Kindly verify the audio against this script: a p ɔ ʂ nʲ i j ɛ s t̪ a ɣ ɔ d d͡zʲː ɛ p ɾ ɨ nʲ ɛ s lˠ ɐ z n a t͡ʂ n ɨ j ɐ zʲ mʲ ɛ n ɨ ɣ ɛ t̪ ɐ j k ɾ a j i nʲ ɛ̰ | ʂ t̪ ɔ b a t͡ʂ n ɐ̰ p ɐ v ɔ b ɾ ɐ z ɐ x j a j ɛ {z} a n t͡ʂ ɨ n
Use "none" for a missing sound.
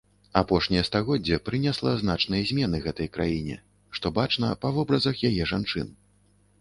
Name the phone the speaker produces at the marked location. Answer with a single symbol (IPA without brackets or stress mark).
ʐ